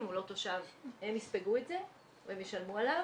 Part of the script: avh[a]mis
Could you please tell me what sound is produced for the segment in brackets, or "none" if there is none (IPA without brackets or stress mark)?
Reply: e